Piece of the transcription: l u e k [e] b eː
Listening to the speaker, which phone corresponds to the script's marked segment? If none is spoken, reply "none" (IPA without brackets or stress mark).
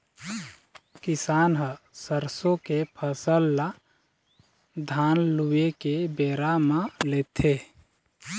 e